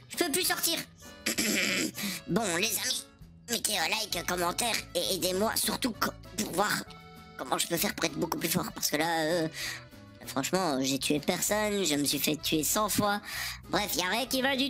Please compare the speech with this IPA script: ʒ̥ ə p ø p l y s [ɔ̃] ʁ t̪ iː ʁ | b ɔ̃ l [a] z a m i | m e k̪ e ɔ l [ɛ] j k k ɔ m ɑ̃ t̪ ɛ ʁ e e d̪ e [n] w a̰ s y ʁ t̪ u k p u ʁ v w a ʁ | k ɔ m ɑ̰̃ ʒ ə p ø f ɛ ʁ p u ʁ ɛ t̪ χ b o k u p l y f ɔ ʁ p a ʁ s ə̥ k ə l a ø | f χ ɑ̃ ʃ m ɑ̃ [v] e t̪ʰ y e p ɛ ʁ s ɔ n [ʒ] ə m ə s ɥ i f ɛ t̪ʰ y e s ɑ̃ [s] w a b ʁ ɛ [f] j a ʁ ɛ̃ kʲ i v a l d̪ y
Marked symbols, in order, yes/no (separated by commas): no, no, no, no, no, yes, no, yes